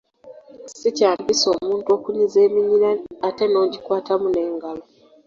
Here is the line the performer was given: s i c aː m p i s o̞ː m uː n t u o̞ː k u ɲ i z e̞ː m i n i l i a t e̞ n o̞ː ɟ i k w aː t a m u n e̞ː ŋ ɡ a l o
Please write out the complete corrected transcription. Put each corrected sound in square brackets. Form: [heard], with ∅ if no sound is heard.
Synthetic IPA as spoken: s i c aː m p i s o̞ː m uː n t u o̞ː k u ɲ i z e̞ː m i [ɲ] i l [a] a t e̞ n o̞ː ɟ i k w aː t a m u n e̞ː ŋ ɡ a l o

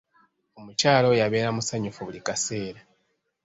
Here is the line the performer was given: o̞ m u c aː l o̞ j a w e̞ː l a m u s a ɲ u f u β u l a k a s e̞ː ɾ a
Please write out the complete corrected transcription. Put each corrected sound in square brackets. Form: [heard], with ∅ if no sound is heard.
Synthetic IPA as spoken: o̞ m u c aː l o̞ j a [β] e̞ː [ɾ] a m u s a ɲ u f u β u l [i] k a s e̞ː ɾ a

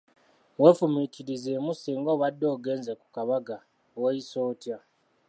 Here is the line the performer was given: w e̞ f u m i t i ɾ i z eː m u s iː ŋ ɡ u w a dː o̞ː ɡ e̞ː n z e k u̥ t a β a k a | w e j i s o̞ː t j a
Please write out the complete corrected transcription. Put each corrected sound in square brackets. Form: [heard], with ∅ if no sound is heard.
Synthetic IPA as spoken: w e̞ f u m i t i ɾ i z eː m u s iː ŋ ɡ [o] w a dː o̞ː ɡ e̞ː n z e k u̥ [k] a β a [ɡ] a | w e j i s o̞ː t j a

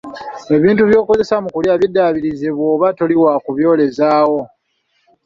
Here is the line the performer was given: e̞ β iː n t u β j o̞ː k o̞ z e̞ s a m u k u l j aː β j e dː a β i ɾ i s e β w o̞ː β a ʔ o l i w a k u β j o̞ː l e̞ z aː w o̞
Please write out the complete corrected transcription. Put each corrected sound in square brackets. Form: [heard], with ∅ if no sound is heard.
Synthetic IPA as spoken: e̞ β iː n t u β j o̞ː k o̞ z e̞ s a m u k u l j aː β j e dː a β i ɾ i [z] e β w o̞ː β a [t] o l i w a k u β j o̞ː l e̞ z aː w o̞

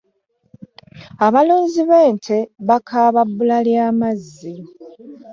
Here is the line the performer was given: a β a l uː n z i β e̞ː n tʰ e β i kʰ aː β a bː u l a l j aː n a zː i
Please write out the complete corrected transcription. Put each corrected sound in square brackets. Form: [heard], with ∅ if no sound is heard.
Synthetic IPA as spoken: a β a l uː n z i β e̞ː n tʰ e β [a] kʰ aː β a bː u l a l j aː [m] a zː i

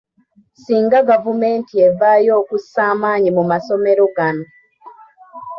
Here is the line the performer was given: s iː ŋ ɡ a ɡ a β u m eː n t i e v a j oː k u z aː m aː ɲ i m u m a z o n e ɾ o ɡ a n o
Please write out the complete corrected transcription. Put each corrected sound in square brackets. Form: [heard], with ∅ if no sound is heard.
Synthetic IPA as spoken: s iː ŋ ɡ a ɡ a [v] u m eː n t i e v a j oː k u [s] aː m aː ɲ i m u m a [s] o [m] e ɾ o ɡ a n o

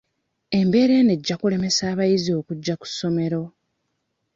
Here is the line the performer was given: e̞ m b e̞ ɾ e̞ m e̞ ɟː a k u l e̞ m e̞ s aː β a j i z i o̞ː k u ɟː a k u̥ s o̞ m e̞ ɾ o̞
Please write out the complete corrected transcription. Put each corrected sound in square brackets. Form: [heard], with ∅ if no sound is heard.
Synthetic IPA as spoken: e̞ m b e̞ ɾ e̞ [n] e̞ ɟː a k u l e̞ m e̞ s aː β a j i z i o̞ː k u ɟː a k u̥ s o̞ m e̞ ɾ o̞

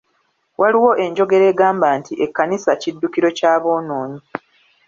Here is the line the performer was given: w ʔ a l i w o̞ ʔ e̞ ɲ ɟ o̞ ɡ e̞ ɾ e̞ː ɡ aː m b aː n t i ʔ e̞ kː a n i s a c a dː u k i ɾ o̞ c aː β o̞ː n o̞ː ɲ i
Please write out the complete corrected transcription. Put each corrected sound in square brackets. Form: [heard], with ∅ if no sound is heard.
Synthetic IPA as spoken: w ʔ a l i w o̞ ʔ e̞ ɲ ɟ o̞ ɡ e̞ ɾ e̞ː ɡ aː m b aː n t i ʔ e̞ kː a n i s a c [i] dː u k i ɾ o̞ c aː β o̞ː n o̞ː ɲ i

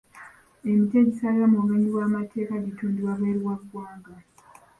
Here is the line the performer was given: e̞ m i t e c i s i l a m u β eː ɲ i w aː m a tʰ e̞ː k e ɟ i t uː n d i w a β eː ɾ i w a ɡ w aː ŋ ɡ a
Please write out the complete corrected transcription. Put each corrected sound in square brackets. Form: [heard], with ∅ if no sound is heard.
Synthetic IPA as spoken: e̞ m i t e [ɟ] i s [a] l a m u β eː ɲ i w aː m a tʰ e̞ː k [a] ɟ i t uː n d i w a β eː ɾ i w a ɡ w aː ŋ ɡ a

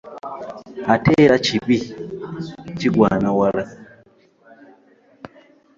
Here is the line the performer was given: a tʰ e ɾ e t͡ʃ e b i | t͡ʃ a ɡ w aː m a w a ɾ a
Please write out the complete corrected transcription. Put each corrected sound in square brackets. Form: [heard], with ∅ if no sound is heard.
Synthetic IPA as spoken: a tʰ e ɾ [a] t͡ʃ [i] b i | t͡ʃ [i] ɡ w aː [n] a w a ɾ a

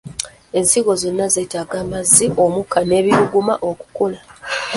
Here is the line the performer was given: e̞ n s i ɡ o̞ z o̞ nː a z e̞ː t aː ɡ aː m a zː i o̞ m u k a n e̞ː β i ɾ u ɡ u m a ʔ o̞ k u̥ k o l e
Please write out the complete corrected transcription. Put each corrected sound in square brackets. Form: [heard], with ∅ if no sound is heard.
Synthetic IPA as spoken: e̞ n s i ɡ o̞ z o̞ nː a z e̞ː t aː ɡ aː m a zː i o̞ m u k a n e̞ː β i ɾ u ɡ u m a ʔ o̞ k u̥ k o l [a]

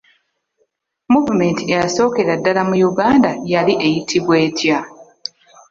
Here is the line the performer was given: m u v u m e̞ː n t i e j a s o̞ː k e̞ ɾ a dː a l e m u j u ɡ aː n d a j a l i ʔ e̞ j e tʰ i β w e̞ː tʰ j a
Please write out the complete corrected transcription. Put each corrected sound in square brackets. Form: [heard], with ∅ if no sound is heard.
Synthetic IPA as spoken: m u v u m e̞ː n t i e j a s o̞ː k e̞ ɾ a dː a l [a] m u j u ɡ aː n d a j a l i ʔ e̞ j [i] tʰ i β w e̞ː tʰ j a

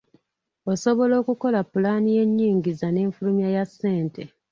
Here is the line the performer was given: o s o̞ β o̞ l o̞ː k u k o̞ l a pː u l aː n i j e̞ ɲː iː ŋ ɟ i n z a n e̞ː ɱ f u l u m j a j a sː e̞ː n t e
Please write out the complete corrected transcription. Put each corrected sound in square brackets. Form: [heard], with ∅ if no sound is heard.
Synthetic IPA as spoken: o s o̞ β o̞ l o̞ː k u k o̞ l a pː u l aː n i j e̞ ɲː iː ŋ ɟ i [∅] z a n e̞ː ɱ f u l u m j a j a sː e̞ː n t e

